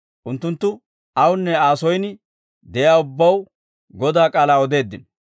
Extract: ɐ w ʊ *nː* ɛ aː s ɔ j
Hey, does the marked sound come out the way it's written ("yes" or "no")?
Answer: yes